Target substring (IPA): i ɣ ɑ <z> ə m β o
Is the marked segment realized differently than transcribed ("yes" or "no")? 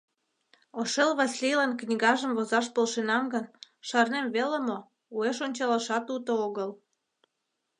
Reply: yes